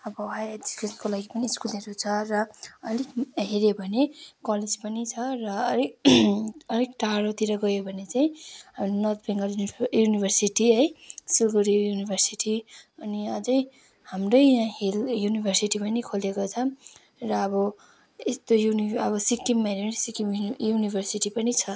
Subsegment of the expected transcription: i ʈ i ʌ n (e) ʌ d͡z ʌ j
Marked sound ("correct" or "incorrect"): incorrect